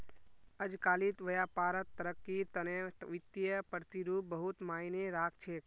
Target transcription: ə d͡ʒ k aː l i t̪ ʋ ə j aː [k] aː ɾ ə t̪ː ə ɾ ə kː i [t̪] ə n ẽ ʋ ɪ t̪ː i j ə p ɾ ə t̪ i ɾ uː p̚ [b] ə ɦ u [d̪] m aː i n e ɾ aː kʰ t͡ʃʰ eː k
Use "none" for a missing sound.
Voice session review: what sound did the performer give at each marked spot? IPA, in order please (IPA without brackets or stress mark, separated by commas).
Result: p, t̪, b, t̪